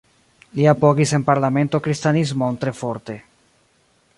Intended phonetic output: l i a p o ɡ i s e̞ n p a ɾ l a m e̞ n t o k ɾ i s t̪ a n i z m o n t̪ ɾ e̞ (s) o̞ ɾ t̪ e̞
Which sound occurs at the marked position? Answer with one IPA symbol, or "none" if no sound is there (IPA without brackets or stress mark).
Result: f